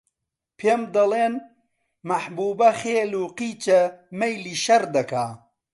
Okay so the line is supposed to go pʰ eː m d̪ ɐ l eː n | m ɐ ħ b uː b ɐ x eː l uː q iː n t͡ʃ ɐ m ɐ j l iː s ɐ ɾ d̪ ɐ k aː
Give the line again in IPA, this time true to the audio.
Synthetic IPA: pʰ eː m d̪ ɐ l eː n | m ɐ ħ b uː b ɐ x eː l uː q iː t͡ʃ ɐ m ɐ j l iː ʃ ɐ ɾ d̪ ɐ k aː